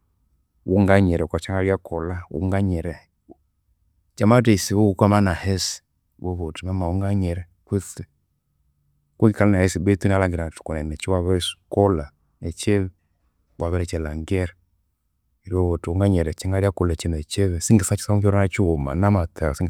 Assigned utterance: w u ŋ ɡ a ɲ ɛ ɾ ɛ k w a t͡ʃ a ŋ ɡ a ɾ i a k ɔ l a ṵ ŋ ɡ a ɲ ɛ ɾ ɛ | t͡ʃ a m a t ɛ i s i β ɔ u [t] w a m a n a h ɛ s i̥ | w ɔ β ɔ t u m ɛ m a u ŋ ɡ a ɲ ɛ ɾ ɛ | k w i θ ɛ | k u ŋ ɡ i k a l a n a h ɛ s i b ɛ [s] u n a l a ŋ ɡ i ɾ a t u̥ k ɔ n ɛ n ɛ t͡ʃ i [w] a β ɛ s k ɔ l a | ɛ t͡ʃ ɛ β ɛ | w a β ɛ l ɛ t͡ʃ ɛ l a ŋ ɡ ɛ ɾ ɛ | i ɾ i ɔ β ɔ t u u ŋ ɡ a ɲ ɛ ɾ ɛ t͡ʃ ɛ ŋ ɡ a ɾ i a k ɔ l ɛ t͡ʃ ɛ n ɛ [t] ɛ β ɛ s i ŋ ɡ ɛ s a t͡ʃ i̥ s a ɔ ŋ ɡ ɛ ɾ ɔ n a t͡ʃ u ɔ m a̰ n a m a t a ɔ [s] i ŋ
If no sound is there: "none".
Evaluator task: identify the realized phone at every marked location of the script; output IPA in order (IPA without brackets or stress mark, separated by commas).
k, t, w, t͡ʃ, s